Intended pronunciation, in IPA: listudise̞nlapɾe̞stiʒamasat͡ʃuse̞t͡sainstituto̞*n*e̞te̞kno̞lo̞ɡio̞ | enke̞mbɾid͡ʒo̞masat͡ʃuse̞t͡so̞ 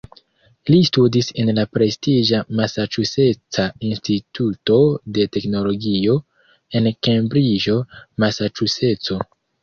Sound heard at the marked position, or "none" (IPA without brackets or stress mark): d